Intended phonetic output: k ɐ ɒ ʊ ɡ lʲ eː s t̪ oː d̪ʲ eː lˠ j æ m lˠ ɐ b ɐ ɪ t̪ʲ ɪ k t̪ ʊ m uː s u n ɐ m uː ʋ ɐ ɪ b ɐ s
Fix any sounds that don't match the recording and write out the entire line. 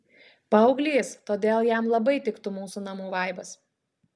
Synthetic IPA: p ɐ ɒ ʊ ɡ lʲ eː s t̪ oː d̪ʲ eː lˠ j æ m lˠ ɐ b ɐ ɪ t̪ʲ ɪ k t̪ ʊ m uː s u n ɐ m uː ʋ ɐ ɪ b ɐ s